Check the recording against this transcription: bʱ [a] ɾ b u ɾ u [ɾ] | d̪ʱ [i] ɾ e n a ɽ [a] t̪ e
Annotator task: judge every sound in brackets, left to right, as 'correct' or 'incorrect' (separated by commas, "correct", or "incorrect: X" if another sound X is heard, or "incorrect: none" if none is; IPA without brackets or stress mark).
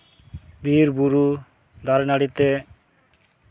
incorrect: i, incorrect: none, incorrect: a, incorrect: i